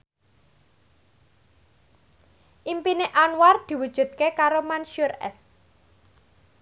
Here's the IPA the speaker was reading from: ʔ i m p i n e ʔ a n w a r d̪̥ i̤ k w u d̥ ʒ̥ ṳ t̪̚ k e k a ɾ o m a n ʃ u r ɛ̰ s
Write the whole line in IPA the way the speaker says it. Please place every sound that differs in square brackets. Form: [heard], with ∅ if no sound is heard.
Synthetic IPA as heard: ʔ i m p i n e ʔ a n w a r d̪̥ i̤ [∅] w u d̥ ʒ̥ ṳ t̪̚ k e k a ɾ o m a n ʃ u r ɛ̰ s